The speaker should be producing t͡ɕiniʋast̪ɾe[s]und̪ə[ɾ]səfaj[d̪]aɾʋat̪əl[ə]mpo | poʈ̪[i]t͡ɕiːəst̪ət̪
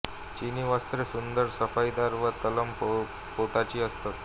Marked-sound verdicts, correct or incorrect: correct, correct, correct, correct, incorrect

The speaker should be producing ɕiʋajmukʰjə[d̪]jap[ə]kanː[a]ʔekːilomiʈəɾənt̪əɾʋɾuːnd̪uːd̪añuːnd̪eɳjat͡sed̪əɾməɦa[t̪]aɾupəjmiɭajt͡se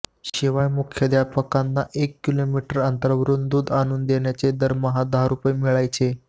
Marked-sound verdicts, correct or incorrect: correct, correct, correct, incorrect

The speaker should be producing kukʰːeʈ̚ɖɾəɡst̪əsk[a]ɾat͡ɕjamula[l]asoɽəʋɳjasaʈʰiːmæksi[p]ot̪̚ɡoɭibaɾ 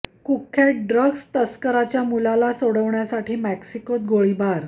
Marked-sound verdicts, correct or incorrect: incorrect, correct, incorrect

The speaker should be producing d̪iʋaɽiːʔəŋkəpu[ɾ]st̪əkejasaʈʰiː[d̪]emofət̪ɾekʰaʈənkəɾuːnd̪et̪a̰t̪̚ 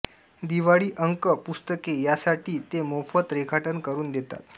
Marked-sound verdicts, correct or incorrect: incorrect, incorrect

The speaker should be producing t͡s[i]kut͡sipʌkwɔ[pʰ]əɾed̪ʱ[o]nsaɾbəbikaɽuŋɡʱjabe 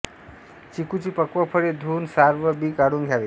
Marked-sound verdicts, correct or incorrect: correct, correct, incorrect

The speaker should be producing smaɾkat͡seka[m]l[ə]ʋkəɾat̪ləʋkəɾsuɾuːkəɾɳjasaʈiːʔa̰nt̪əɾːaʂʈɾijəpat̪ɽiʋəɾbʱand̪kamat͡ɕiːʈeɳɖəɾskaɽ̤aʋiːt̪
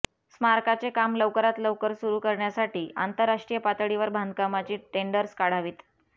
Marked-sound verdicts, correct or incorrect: correct, correct

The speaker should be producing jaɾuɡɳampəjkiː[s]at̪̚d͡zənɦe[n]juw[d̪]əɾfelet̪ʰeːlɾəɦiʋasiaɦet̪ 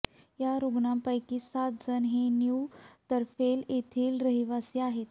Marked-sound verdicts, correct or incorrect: correct, correct, incorrect

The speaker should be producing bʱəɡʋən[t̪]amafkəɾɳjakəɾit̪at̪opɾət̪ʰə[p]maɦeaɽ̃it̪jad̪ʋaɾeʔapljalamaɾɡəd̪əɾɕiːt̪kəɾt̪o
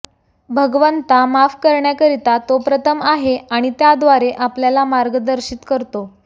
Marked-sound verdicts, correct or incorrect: correct, incorrect

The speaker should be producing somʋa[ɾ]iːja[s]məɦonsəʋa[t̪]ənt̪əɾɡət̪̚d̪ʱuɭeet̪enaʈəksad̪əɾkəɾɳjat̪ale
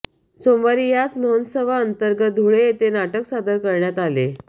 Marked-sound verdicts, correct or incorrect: correct, incorrect, incorrect

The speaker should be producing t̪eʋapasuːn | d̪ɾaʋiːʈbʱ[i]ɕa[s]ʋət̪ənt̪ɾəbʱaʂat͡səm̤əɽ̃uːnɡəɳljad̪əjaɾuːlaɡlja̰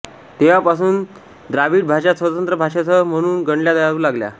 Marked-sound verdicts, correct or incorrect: incorrect, correct

